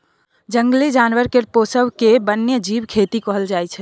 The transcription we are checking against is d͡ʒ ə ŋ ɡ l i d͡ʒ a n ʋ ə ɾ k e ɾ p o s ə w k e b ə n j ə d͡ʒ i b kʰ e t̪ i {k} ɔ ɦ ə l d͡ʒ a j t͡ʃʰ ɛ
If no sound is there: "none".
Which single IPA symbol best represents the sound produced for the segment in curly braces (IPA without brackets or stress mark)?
k